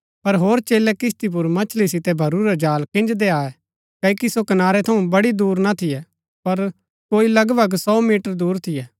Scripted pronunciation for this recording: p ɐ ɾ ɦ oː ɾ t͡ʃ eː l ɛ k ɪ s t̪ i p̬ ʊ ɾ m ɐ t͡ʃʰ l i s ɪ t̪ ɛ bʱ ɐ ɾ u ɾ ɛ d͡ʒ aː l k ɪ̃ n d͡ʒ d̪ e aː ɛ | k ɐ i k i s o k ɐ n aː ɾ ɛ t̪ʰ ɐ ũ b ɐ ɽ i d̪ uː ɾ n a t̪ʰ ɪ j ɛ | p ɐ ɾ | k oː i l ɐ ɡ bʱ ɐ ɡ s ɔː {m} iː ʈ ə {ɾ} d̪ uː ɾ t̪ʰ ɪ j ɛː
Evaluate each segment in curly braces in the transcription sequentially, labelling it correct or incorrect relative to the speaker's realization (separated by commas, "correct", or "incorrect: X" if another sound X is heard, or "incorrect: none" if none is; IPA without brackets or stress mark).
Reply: correct, correct